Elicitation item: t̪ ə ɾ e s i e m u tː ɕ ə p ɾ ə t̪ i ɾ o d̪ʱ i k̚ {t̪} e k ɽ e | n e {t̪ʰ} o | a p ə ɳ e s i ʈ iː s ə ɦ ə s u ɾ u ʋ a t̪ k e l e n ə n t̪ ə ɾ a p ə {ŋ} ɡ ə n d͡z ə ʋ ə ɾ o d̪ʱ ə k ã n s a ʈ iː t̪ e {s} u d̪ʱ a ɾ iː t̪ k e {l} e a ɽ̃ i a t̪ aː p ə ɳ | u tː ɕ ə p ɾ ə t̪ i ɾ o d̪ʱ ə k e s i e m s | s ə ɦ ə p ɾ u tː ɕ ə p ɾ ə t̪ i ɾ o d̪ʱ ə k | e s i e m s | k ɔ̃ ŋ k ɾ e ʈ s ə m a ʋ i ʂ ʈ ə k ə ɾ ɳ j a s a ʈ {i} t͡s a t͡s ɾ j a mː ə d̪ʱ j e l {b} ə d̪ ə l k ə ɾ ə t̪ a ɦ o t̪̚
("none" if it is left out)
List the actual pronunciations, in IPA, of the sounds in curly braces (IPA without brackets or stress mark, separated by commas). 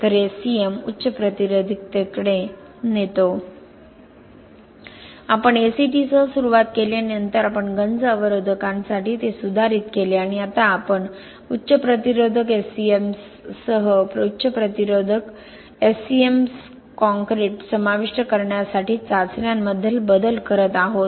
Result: t̪, t̪, ɳ, s, l, iː, b